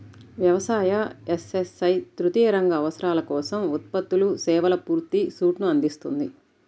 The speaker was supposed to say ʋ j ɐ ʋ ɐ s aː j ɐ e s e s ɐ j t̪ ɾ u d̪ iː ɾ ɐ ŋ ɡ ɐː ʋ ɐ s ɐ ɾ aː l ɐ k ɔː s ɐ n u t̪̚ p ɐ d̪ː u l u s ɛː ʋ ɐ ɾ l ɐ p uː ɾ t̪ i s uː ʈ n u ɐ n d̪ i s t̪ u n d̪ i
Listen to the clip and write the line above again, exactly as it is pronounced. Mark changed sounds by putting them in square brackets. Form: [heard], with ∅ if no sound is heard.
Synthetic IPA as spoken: ʋ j ɐ ʋ ɐ s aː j ɐ e s e s ɐ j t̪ ɾ u [t̪] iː ɾ ɐ ŋ ɡ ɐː ʋ ɐ s ɐ ɾ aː l ɐ k ɔː s ɐ [m] u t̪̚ p ɐ [t̪ː] u l u s ɛː ʋ ɐ [∅] l ɐ p uː ɾ t̪ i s uː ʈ n u ɐ n d̪ i s t̪ u n d̪ i